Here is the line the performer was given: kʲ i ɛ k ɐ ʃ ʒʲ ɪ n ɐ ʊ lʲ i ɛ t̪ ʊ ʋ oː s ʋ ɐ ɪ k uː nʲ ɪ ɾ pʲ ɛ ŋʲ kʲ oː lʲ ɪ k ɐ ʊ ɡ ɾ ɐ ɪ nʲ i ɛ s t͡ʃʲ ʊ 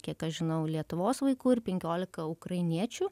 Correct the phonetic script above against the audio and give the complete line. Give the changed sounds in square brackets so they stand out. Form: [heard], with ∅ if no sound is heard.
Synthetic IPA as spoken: kʲ i ɛ k ɐ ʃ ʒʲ ɪ n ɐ ʊ lʲ i ɛ t̪ ʊ ʋ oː s ʋ ɐ ɪ k uː [∅] ɪ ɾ pʲ ɛ ŋʲ kʲ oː lʲ ɪ k ɐ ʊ [k] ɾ ɐ ɪ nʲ i ɛ [∅] t͡ʃʲ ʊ